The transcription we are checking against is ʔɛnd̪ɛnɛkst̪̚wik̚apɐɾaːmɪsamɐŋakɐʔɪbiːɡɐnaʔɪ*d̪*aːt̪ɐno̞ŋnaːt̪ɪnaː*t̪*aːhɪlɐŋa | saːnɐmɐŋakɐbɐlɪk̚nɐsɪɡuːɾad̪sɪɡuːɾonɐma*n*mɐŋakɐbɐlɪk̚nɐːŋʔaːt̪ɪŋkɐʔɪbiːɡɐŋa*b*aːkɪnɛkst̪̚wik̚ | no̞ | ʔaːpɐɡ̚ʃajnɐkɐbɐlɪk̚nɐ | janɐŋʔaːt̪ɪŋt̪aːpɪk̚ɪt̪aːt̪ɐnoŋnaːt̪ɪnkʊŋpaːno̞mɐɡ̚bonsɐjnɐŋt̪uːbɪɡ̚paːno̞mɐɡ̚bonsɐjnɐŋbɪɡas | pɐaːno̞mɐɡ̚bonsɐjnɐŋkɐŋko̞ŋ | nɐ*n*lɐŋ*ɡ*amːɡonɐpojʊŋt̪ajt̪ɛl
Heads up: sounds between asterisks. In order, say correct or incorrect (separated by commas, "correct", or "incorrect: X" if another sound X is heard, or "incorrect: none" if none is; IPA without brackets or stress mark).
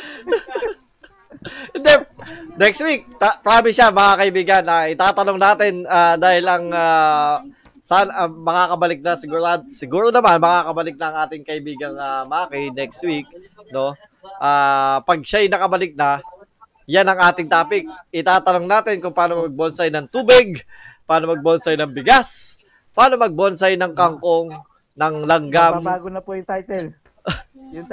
incorrect: t̪, incorrect: d̪, correct, incorrect: m, incorrect: ŋ, correct